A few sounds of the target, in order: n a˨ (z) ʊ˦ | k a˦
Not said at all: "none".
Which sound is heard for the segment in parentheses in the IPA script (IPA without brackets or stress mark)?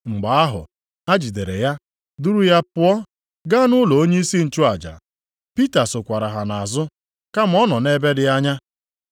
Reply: z